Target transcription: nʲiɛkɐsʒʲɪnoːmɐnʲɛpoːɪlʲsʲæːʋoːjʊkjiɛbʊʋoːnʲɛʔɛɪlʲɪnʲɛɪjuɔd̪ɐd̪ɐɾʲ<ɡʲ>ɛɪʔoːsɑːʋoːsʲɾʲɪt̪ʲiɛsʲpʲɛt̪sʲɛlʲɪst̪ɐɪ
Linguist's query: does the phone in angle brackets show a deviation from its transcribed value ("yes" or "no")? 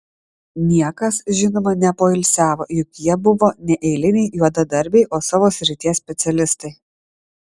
yes